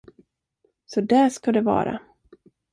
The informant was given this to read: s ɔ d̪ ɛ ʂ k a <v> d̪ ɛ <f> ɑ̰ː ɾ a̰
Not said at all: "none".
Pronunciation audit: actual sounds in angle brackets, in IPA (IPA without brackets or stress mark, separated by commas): none, v